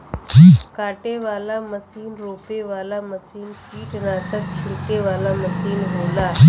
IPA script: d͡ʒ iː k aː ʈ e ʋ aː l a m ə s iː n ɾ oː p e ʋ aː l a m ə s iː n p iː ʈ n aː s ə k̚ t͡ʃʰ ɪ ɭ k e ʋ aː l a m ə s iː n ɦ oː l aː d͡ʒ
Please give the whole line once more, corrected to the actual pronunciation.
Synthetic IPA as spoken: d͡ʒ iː k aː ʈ e ʋ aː l a m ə s iː n ɾ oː p e ʋ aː l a m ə s iː n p iː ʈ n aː s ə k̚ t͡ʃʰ ɪ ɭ k e ʋ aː l a m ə s iː n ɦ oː l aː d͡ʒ

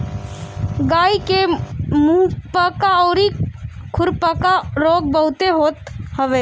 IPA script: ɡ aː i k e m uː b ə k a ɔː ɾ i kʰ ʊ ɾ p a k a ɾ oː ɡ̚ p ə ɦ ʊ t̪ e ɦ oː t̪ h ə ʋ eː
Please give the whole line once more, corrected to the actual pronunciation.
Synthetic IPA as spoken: ɡ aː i k e m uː p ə k a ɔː ɾ i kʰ ʊ ɾ p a k a ɾ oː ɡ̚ b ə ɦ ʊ t̪ e ɦ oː t̪ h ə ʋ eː

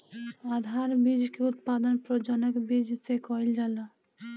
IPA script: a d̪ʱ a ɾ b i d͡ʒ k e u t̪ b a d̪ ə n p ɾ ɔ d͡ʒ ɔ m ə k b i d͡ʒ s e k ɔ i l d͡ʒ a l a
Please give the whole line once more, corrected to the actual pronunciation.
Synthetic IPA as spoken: a d̪ʱ a ɾ b i d͡ʒ k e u t̪ p a d̪ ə n p ɾ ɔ d͡ʒ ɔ n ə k b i d͡ʒ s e k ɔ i l d͡ʒ a l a

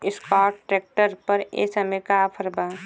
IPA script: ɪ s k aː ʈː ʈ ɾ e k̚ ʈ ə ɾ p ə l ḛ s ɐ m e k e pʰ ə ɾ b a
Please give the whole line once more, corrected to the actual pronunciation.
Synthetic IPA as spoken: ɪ s k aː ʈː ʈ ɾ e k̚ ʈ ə ɾ p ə ɾ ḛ s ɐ m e k a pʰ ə ɾ b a

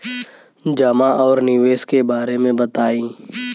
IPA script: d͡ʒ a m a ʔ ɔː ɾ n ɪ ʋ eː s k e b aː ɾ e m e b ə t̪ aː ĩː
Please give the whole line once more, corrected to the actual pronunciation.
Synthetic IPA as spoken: d͡ʒ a m a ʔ ɔː ɾ n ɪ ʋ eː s k e b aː ɾ e m ẽ b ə t̪ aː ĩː

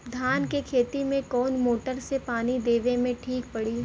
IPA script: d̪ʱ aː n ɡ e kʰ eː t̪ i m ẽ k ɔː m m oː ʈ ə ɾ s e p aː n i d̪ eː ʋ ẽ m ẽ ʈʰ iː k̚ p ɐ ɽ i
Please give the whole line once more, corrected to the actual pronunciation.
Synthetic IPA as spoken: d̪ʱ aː n k e kʰ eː t̪ i m ẽ k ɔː n m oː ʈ ə ɾ s e p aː n i d̪ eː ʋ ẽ m ẽ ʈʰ iː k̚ p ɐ ɽ i

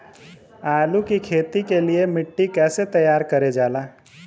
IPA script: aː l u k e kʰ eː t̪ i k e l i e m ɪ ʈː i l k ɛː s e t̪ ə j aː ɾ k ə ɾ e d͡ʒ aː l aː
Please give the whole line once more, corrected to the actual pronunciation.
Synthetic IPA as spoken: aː l u k i kʰ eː t̪ i k e l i e m ɪ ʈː i k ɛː s e t̪ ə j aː ɾ k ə ɾ e d͡ʒ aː l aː

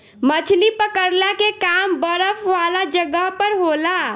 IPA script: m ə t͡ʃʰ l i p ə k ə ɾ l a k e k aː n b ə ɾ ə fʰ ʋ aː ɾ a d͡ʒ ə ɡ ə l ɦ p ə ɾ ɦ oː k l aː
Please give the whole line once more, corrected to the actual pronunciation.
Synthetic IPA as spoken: m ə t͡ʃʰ l i p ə k ə ɾ l a k e k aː m b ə ɾ ə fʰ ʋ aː l a d͡ʒ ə ɡ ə ɦ p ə ɾ ɦ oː l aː

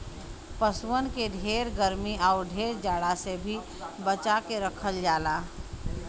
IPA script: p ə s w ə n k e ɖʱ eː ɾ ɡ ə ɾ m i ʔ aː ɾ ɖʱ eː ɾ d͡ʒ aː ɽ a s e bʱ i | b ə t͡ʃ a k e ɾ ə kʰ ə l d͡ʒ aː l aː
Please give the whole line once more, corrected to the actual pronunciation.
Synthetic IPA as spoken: p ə s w ə n k e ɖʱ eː ɾ ɡ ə ɾ m i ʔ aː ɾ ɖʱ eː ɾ d͡ʒ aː ɽ a s e bʱ i | b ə t͡ʃ a k e ɾ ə kʰ ə l d͡ʒ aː l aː

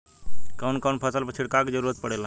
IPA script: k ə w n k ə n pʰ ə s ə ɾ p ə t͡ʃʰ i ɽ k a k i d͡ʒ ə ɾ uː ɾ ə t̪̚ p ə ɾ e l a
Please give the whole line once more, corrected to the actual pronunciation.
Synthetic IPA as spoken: k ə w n k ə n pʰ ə s ə l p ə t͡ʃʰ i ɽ k a k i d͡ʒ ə ɾ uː ɾ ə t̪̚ p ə ɽ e l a

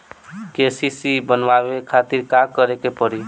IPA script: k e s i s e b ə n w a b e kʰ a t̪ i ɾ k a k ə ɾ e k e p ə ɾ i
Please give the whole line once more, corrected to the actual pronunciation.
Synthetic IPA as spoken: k e s i s i b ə n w a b e kʰ a t̪ i ɾ k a k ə ɾ e k e p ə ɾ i

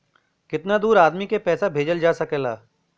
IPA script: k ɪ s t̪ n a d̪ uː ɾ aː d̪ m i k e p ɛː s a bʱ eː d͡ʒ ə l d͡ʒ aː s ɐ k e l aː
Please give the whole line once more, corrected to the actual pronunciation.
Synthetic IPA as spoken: k ɪ t̪ n a d̪ uː ɾ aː d̪ m i k e p ɛː s a bʱ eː d͡ʒ ə l d͡ʒ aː s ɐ k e l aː

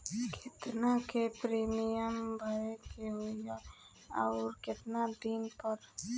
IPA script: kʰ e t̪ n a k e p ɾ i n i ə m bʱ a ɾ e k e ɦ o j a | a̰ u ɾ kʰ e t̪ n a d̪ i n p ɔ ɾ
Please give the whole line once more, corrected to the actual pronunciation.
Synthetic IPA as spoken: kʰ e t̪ n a k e p ɾ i m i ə m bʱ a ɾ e k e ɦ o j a | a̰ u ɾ k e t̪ n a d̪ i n p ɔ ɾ

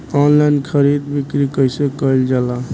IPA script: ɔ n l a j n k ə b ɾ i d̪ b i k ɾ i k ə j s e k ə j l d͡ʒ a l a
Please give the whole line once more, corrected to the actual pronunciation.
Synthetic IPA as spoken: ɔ n l a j n kʰ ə ɾ i d̪ b i k ɾ i k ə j s e k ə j l d͡ʒ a l a

